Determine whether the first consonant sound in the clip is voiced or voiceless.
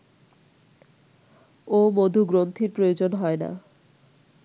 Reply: voiced